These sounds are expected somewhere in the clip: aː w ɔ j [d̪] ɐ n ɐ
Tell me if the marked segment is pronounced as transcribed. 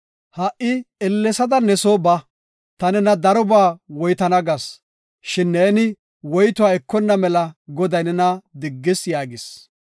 no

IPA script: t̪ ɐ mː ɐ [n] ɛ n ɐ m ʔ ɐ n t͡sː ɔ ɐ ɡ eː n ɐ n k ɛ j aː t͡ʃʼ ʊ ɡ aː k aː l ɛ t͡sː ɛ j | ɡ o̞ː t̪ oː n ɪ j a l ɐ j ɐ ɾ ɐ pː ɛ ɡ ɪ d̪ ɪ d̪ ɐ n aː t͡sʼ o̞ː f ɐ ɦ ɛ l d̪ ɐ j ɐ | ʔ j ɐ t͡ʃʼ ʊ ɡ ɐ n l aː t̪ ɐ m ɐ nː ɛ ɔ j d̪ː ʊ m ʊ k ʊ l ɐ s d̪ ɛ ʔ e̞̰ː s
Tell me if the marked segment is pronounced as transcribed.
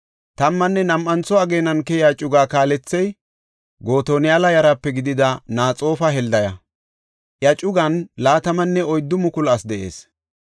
no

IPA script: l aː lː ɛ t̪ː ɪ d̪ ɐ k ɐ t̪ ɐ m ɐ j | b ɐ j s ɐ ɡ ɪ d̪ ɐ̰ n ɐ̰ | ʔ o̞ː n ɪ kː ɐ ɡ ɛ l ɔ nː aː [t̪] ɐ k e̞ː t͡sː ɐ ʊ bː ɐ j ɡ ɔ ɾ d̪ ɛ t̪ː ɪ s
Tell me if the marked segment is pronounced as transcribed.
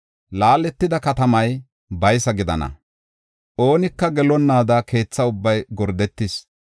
no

